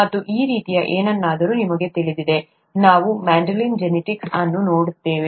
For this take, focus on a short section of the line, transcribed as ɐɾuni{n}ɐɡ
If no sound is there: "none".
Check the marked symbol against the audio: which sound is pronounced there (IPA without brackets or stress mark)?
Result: m